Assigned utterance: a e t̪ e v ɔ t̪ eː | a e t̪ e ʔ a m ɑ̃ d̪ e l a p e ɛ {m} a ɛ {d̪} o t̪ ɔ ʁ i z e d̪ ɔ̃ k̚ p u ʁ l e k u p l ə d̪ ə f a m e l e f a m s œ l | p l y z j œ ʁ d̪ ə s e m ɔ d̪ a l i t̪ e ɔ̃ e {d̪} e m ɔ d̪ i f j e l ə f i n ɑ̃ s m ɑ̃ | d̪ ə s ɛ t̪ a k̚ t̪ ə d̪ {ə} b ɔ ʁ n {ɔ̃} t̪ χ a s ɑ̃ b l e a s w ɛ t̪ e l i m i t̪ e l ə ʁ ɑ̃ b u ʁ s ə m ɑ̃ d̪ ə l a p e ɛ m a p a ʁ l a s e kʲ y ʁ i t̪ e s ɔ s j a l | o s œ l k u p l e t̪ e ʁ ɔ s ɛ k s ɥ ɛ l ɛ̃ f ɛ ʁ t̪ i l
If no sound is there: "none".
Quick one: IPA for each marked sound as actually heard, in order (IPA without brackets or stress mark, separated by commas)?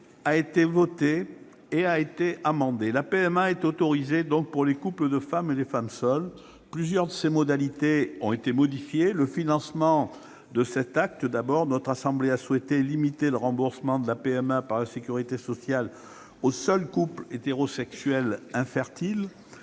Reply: m, t̪, t̪, a, ɔ